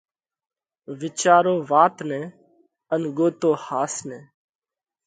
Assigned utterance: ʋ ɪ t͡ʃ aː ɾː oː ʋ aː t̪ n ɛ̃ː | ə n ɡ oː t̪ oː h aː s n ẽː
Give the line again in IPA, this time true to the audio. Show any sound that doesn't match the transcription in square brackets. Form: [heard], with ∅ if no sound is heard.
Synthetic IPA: ʋ ɪ t͡ʃ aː [ɾ] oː ʋ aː t̪ n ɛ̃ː | ə n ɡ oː t̪ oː h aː s n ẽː

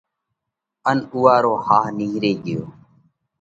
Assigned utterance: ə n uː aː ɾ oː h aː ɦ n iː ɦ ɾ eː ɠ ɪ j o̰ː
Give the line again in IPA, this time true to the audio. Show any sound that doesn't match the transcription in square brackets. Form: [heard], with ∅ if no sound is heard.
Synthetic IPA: ə n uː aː ɾ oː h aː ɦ n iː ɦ ɾ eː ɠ ɪ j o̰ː

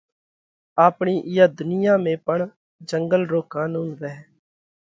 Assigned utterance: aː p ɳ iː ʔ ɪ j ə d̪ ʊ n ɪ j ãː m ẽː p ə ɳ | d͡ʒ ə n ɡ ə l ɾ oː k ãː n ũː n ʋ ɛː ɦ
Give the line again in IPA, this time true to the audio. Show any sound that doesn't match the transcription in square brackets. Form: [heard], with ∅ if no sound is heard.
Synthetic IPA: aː p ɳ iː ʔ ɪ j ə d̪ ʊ n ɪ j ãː m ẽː p ə ɳ | d͡ʒ ə [ŋ] ɡ ə l ɾ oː k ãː n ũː n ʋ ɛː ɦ

